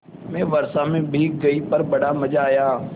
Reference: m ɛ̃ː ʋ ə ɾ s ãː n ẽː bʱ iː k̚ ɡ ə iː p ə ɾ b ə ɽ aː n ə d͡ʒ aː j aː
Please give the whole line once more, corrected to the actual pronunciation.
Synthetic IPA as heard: m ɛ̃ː ʋ ə ɾ s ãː m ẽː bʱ iː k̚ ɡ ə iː p ə ɾ b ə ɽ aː m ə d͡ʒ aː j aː